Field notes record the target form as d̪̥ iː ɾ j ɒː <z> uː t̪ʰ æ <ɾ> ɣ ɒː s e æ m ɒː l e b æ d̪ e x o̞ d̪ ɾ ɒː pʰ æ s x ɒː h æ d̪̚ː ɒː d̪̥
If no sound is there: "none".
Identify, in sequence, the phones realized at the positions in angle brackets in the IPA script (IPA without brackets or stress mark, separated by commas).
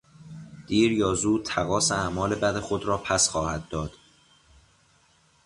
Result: z, none